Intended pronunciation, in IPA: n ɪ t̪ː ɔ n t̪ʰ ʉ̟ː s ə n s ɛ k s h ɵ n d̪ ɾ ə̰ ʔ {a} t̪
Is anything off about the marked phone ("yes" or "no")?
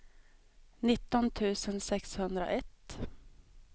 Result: yes